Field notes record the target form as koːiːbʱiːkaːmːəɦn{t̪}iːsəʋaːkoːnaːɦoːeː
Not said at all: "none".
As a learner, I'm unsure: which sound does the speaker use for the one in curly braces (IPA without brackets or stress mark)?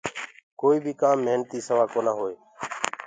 t̪